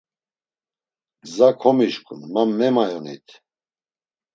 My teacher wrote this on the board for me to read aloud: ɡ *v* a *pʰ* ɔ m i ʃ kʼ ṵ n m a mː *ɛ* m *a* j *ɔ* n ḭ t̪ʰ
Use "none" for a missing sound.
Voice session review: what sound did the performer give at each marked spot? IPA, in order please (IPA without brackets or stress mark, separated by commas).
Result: z, kʰ, ɛ, a, ɔ